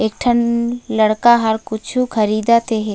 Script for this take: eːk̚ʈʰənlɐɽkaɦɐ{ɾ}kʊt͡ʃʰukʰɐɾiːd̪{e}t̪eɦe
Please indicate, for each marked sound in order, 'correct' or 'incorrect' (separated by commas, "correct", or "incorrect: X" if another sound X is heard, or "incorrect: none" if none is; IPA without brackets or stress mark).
correct, incorrect: a